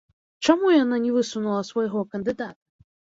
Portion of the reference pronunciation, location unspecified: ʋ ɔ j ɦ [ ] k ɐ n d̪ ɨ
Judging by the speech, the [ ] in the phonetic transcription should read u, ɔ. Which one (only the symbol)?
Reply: ɔ